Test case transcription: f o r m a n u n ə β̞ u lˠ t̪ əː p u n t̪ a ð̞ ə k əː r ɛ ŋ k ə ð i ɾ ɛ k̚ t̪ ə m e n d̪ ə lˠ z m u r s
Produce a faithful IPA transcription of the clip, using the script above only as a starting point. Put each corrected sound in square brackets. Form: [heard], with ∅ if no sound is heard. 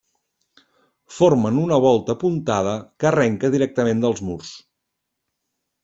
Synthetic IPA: f o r m [ə] n u n ə β̞ [ɔ] lˠ t̪ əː p u n t̪ a ð̞ ə k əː r ɛ ŋ k ə ð i ɾ ɛ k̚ t̪ ə m e n d̪ ə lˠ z m u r s